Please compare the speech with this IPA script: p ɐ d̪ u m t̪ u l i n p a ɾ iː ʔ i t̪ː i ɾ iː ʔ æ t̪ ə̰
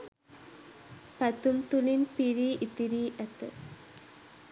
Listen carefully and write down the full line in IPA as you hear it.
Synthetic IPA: p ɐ t̪ u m t̪ u l i n p i ɾ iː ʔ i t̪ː i ɾ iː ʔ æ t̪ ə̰